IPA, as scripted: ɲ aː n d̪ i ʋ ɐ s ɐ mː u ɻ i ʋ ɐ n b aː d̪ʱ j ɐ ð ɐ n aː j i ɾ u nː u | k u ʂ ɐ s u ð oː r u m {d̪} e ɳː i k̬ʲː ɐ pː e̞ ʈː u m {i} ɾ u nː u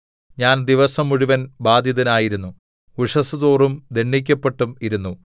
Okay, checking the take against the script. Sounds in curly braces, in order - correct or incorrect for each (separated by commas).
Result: correct, correct